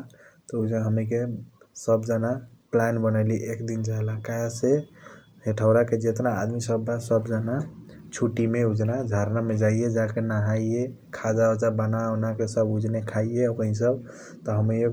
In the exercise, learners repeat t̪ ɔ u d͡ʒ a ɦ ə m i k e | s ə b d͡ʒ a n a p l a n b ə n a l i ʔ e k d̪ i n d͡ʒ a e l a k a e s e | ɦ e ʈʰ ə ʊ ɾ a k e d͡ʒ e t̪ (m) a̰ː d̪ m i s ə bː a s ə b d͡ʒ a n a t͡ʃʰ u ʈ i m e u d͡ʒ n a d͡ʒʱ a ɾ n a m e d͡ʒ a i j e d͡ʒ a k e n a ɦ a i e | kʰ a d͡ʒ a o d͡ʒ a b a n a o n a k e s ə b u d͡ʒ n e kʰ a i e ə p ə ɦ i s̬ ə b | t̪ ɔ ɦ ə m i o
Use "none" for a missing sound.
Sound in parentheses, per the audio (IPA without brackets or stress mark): n